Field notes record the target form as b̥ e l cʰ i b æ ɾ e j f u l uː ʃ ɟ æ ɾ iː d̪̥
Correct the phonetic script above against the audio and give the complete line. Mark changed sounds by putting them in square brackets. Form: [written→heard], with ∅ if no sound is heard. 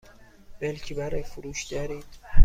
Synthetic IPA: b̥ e l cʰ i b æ ɾ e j f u [l→ɾ] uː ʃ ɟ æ ɾ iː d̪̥